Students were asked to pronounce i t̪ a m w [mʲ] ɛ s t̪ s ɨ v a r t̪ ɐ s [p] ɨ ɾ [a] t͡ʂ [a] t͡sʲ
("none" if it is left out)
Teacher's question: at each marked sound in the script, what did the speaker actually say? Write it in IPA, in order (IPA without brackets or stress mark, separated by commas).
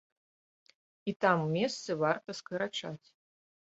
mʲ, k, a, a